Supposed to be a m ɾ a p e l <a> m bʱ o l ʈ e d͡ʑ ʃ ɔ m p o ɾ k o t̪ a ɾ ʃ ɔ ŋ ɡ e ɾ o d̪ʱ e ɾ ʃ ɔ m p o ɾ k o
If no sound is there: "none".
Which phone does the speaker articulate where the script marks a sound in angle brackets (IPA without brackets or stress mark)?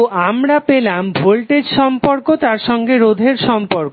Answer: a